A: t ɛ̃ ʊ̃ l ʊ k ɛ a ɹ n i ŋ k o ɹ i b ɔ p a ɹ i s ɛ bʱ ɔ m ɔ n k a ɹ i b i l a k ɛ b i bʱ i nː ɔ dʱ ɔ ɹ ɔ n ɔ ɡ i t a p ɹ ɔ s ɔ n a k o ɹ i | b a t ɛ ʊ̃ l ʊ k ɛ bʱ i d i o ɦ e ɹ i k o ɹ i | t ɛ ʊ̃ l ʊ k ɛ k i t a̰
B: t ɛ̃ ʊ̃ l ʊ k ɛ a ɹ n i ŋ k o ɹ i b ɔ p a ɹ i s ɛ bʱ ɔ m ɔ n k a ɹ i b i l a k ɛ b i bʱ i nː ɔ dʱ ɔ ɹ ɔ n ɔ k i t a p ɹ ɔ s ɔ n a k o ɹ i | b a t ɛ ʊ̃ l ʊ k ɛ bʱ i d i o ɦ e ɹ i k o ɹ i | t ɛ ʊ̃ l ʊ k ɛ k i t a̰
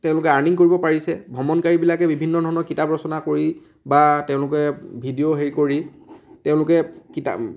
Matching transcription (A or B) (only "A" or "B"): B